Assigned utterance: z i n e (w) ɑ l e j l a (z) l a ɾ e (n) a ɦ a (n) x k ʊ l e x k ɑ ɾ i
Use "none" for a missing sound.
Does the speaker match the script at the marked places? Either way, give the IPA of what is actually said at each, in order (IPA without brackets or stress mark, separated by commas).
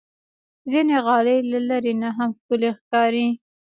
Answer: ɣ, none, n, m